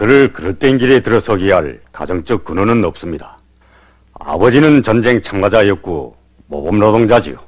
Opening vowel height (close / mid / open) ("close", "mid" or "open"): close